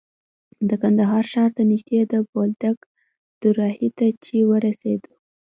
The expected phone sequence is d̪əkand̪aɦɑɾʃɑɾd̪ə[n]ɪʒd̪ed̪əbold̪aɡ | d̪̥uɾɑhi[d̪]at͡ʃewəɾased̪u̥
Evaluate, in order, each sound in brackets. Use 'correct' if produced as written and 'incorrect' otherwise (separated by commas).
correct, incorrect